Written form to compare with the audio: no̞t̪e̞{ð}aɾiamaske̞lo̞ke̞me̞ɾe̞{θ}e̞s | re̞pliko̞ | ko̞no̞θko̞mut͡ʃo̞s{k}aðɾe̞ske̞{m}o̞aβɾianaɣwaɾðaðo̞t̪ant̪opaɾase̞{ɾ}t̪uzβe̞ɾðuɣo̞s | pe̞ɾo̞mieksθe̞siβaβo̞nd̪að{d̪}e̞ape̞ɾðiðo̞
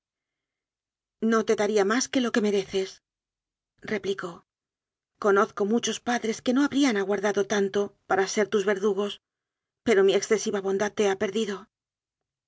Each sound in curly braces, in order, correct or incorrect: correct, correct, incorrect: p, incorrect: n, correct, incorrect: t̪

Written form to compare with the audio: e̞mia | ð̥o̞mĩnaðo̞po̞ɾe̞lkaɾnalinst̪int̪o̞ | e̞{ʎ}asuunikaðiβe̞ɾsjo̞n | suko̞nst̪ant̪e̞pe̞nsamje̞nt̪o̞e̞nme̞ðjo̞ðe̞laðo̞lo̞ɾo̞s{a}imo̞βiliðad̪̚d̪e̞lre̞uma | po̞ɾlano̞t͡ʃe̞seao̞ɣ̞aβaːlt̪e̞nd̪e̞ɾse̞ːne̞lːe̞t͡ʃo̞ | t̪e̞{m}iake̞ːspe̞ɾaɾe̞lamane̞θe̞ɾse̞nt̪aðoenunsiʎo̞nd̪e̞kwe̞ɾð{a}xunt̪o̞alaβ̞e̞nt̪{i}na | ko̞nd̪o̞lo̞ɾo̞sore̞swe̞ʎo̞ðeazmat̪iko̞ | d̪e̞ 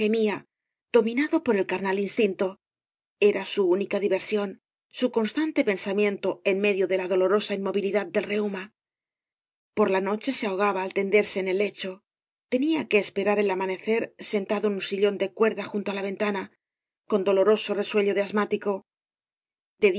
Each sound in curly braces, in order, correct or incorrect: incorrect: ɾ, correct, incorrect: n, correct, incorrect: a

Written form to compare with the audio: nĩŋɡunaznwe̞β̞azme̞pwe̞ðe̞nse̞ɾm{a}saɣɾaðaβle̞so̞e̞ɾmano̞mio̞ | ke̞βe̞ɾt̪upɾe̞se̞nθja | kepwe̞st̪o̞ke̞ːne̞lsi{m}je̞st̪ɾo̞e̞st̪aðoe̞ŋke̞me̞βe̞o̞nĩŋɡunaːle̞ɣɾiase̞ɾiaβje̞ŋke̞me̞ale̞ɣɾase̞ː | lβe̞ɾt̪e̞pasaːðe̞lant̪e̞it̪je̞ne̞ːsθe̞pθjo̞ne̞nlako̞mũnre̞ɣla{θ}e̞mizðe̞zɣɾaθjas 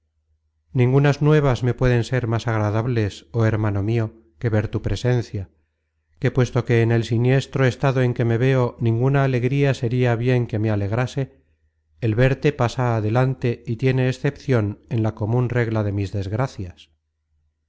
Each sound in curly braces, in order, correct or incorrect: correct, incorrect: n, incorrect: ð

